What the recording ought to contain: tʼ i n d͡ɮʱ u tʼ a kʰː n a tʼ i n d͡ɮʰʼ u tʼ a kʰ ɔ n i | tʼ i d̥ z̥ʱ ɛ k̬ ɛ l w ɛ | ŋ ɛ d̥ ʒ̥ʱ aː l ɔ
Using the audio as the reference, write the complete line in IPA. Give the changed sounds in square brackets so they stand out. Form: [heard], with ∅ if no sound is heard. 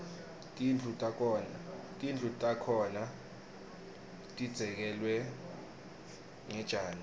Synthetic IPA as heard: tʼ i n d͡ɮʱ u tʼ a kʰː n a tʼ i n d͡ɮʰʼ u tʼ a kʰ ɔ n [a] | tʼ i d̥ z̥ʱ ɛ k̬ ɛ l w ɛ | ŋ ɛ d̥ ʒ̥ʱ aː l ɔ